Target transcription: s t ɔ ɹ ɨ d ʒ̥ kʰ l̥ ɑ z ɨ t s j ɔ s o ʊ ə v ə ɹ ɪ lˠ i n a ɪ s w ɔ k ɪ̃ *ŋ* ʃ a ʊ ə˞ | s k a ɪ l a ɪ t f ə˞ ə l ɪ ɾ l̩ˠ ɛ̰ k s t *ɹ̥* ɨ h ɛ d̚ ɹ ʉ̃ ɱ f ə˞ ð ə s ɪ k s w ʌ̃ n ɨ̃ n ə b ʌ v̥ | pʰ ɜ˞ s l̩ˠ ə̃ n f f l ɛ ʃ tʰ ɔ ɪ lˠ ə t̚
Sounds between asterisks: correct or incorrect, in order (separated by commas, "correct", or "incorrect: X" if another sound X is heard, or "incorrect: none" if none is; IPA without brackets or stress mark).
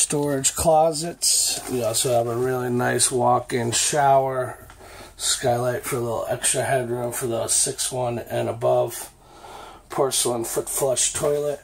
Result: correct, correct